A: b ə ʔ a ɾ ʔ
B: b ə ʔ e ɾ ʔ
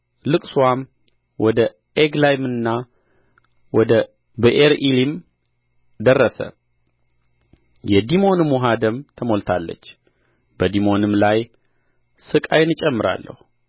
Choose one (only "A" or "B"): B